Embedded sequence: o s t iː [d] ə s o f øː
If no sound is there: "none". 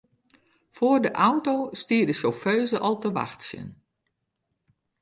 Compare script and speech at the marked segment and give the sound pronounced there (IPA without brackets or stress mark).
d